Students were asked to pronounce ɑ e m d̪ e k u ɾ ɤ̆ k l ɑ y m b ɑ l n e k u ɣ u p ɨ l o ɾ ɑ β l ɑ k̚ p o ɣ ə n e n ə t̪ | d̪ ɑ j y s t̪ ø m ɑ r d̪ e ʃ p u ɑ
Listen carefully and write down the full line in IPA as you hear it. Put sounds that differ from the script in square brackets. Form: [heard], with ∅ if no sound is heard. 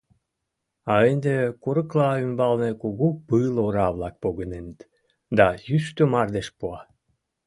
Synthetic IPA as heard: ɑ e [n] d̪ e k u ɾ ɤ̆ k l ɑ y m b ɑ l n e k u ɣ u p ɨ l o ɾ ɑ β l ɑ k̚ p o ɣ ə n e n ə t̪ | d̪ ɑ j y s t̪ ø m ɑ r d̪ e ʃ p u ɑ